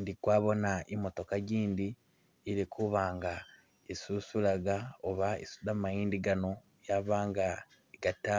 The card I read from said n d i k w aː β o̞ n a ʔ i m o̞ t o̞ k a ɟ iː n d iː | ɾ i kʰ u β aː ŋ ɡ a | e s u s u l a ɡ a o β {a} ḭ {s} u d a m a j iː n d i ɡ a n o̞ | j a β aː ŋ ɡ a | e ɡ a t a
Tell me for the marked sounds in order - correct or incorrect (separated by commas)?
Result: correct, correct